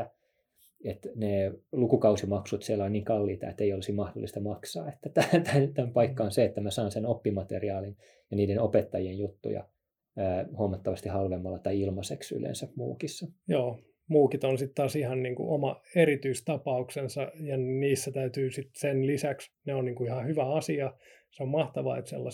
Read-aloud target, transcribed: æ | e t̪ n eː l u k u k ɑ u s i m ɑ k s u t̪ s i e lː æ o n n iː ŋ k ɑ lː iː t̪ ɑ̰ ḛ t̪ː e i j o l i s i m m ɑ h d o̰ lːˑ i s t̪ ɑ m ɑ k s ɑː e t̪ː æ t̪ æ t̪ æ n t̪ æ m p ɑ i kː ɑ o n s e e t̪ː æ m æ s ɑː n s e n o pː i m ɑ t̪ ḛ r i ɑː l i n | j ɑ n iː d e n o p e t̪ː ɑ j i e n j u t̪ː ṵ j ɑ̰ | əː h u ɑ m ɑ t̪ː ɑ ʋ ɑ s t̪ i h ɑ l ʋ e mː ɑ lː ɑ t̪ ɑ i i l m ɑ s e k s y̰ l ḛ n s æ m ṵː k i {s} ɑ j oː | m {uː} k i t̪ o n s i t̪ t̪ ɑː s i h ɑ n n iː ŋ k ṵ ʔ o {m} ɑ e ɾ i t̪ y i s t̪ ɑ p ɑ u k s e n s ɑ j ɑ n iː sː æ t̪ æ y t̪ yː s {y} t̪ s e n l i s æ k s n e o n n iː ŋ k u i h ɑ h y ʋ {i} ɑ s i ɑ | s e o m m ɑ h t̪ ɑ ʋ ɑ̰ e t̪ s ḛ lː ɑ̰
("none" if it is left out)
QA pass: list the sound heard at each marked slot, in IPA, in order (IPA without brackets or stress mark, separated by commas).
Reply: sː, uː, m, i, æ